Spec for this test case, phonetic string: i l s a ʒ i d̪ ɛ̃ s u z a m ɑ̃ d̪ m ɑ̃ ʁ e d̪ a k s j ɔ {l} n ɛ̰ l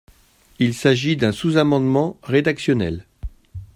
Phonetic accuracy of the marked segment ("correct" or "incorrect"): incorrect